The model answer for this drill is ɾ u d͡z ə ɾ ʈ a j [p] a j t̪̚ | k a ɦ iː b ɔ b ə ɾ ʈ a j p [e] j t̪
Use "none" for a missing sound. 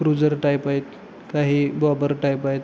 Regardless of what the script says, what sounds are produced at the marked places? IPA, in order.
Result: p, a

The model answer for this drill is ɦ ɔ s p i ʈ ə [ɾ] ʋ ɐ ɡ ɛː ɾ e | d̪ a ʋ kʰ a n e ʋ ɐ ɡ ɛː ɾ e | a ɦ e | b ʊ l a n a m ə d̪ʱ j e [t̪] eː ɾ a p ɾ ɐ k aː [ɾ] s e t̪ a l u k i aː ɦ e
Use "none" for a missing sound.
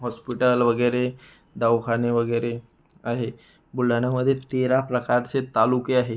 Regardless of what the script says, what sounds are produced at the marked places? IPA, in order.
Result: l, t̪, ɾ

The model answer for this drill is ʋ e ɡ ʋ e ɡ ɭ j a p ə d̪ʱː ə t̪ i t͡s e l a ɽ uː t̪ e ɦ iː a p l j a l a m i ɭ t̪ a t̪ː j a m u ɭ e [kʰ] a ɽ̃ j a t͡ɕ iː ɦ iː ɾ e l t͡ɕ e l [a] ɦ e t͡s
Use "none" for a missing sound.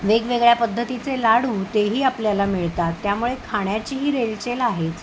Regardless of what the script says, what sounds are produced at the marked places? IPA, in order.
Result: kʰ, a

